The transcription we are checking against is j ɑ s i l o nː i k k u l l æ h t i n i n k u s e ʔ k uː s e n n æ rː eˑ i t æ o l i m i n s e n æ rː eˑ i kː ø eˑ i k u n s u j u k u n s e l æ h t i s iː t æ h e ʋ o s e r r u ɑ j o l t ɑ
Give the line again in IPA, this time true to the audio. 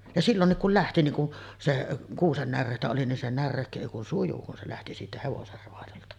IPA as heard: j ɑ s i lː o nː i k k u l l æ h t i n i ŋ k u s e ʔ k uː s e n n æ rː eˑ i t æ o l i n i n s e n æ rː eˑ i kː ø eˑ i k u n s u j u k u n s e l æ h t i s iː t æ h e ʋ o s e r r o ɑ j o l t ɑ